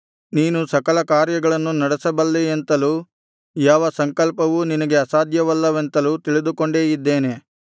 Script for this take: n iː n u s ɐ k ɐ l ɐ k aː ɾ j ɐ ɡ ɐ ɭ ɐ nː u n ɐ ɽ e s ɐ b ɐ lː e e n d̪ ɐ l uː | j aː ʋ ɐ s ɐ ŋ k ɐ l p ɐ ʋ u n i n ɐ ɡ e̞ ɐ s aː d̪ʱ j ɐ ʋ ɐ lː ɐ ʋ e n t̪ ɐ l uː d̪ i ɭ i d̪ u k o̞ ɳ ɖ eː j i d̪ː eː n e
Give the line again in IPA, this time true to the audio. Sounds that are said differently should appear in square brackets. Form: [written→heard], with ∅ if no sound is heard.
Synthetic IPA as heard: n iː n u s ɐ k ɐ l ɐ k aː ɾ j ɐ ɡ ɐ ɭ ɐ nː u n ɐ ɽ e s ɐ b ɐ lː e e n [d̪→t̪] ɐ l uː | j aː ʋ ɐ s ɐ ŋ k ɐ l p ɐ ʋ u n i n ɐ ɡ e̞ ɐ s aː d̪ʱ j ɐ ʋ ɐ lː ɐ ʋ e n t̪ ɐ l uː [d̪→t̪] i ɭ i d̪ u k o̞ ɳ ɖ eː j i d̪ː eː n e